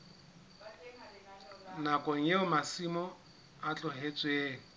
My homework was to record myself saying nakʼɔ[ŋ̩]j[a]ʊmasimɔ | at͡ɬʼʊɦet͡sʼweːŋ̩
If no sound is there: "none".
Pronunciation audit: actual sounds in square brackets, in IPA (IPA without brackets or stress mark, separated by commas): ŋ̩, e